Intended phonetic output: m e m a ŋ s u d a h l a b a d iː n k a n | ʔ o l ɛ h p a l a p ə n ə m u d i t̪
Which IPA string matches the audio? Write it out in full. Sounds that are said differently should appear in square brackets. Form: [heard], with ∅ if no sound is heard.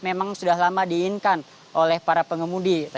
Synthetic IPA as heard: m e m a ŋ s u d a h l a [m] a d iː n k a n | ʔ o l ɛ h p a [ɾ] a p ə [ŋ] ə m u d i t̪